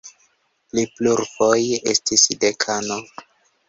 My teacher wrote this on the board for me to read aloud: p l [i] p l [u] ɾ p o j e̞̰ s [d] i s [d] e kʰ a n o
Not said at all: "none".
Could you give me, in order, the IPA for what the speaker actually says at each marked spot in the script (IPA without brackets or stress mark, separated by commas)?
i, u, t, d